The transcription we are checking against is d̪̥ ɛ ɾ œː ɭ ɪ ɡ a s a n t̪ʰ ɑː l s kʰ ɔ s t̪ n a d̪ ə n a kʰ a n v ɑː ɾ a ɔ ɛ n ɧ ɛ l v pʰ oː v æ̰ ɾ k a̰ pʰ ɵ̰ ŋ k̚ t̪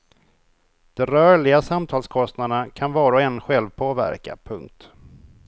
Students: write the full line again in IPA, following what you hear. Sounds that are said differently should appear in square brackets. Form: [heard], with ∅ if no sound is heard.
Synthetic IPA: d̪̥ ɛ ɾ œː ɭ ɪ ɡ a s a [m] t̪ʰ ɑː l s kʰ ɔ s t̪ n a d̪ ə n a kʰ a n v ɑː ɾ a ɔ ɛ n ɧ ɛ l v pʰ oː v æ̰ ɾ k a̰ pʰ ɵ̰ ŋ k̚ t̪